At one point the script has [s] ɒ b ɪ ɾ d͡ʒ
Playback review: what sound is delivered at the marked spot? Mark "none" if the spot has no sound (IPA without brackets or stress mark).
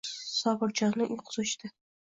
s